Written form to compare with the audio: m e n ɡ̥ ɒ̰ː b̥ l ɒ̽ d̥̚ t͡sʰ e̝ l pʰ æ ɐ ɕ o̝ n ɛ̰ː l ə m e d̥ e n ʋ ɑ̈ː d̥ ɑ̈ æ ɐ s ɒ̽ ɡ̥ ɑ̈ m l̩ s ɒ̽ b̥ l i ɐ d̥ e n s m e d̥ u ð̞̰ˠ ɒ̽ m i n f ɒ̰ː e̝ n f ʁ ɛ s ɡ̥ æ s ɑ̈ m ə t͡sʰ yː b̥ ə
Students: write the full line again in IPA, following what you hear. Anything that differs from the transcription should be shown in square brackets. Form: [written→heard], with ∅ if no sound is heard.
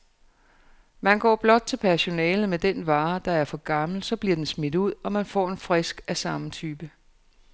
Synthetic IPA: m [e→æ] n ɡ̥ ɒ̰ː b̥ l ɒ̽ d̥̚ t͡sʰ e̝ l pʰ æ ɐ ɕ o̝ n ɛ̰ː l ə m e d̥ e n ʋ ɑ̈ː d̥ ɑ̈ æ ɐ [s→f] ɒ̽ ɡ̥ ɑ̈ m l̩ s ɒ̽ b̥ l i ɐ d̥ e n s m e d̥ u ð̞̰ˠ ɒ̽ m [i→æ] n f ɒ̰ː e̝ n f ʁ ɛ s ɡ̥ æ s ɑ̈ m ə t͡sʰ yː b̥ ə

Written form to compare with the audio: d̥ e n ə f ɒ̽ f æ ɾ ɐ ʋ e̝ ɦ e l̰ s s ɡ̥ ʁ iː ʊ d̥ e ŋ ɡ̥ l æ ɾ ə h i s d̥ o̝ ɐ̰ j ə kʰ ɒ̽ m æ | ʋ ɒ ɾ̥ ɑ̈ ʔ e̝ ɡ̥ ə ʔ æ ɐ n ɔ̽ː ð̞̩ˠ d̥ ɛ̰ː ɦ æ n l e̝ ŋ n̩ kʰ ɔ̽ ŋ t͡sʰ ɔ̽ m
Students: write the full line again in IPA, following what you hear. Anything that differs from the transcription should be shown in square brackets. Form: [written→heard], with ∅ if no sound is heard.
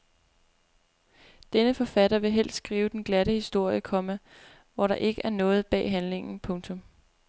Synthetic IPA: d̥ e n ə f ɒ̽ f æ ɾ ɐ ʋ e̝ ɦ e l̰ s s ɡ̥ ʁ iː ʊ d̥ e [ŋ→n] ɡ̥ l æ ɾ ə h i s d̥ o̝ ɐ̰ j ə kʰ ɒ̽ m æ | ʋ ɒ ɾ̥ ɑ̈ ʔ e̝ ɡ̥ ə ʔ æ ɐ n ɔ̽ː ð̞̩ˠ [d̥→b̥] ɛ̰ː ɦ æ n l e̝ ŋ n̩ [kʰ→pʰ] ɔ̽ ŋ t͡sʰ ɔ̽ m

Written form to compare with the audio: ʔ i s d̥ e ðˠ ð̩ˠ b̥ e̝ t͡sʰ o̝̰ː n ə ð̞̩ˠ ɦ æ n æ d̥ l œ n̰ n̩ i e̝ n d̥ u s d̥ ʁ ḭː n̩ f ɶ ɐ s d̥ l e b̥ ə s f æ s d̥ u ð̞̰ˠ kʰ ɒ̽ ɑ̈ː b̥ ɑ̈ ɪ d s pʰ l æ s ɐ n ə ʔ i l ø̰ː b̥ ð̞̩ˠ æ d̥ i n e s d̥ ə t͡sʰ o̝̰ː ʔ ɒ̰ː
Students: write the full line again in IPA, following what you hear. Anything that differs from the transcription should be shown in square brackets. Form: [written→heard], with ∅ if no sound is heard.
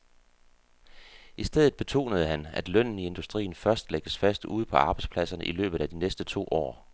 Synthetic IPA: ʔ i s d̥ e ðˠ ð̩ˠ b̥ e̝ t͡sʰ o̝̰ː n ə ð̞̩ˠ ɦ æ n æ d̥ l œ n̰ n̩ i e̝ n d̥ u s d̥ ʁ ḭː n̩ f ɶ ɐ s d̥ l e [b̥→ɡ̥] ə s f æ s d̥ u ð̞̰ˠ [kʰ→pʰ] ɒ̽ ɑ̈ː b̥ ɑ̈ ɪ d s pʰ l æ s ɐ n ə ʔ i l ø̰ː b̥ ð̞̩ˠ æ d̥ i n e s d̥ ə t͡sʰ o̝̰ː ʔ ɒ̰ː

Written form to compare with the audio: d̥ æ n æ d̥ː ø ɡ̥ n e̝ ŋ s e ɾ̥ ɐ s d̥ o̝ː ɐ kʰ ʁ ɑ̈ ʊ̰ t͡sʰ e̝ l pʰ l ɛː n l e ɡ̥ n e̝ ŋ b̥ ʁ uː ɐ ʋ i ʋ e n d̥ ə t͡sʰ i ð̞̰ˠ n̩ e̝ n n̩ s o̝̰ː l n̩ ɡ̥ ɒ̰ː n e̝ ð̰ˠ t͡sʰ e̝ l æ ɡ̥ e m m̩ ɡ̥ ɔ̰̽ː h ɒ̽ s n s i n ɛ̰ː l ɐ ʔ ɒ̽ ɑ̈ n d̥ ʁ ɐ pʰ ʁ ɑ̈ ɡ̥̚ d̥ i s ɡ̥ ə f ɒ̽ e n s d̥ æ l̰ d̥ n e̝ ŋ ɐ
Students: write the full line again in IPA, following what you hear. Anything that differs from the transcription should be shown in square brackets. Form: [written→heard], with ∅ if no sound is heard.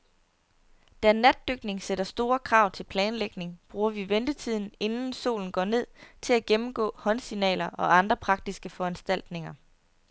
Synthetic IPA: d̥ æ n æ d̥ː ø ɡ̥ n e̝ ŋ s e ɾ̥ ɐ s d̥ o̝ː ɐ kʰ ʁ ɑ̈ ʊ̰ t͡sʰ e̝ l pʰ l ɛː n l e ɡ̥ n e̝ ŋ b̥ ʁ uː ɐ ʋ i ʋ e n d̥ ə t͡sʰ i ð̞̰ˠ n̩ e̝ n n̩ s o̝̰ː l n̩ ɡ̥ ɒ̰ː n e̝ ð̰ˠ t͡sʰ e̝ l æ ɡ̥ e m m̩ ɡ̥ ɔ̰̽ː h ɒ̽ [s→∅] n s i n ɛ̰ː l ɐ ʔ ɒ̽ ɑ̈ n d̥ ʁ ɐ pʰ ʁ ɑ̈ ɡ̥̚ d̥ i s ɡ̥ ə f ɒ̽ [e→æ] n s d̥ æ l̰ d̥ n e̝ ŋ ɐ

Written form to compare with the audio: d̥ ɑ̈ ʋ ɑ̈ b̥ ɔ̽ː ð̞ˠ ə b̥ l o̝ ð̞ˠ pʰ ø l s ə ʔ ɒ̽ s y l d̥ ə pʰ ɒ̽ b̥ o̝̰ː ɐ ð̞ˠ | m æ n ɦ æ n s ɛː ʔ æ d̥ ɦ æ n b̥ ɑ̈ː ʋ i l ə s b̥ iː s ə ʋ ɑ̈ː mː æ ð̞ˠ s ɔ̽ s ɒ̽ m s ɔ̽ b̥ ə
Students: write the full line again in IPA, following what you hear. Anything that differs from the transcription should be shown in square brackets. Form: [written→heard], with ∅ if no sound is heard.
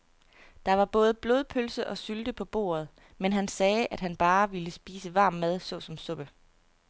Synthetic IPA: d̥ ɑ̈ ʋ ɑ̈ b̥ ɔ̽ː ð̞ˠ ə b̥ l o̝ ð̞ˠ pʰ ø l s ə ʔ ɒ̽ s y l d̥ ə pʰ ɒ̽ b̥ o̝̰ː ɐ ð̞ˠ | m [æ→e] n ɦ æ n s ɛː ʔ æ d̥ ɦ æ n b̥ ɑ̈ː ʋ i l ə s b̥ iː s ə ʋ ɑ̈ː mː æ ð̞ˠ s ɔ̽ s ɒ̽ m s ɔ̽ b̥ ə

